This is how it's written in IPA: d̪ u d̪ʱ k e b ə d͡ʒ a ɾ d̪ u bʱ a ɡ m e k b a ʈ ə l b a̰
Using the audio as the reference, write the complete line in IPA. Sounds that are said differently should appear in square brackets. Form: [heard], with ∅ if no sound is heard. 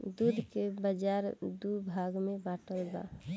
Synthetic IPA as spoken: d̪ u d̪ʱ k e b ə d͡ʒ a ɾ d̪ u bʱ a ɡ m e [∅] b a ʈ ə l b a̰